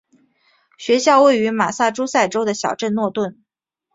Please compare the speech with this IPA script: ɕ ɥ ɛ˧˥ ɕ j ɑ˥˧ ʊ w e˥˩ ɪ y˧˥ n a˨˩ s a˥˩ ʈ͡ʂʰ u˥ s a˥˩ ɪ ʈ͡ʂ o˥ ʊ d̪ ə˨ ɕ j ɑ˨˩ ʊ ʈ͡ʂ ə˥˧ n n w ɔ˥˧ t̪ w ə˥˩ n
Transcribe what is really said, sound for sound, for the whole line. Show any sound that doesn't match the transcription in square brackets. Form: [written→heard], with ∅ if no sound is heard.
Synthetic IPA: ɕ ɥ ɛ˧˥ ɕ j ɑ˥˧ ʊ w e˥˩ ɪ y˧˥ [n→m] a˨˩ s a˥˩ [ʈ͡ʂʰ→ʈ͡ʂ] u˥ s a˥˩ ɪ ʈ͡ʂ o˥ ʊ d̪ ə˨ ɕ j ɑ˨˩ ʊ ʈ͡ʂ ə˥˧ n n w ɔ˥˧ t̪ w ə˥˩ n